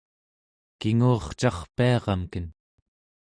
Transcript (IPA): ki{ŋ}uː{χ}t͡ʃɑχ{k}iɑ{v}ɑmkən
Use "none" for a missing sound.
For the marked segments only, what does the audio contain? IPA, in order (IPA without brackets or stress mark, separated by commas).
ŋ, χ, p, ʁ